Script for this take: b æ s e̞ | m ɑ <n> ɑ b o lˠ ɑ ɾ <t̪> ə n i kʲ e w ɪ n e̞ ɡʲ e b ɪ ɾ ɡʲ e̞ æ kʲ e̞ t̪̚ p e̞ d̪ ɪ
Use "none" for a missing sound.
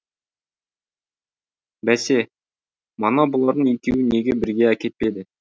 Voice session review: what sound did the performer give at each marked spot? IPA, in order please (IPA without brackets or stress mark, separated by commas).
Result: n, d̪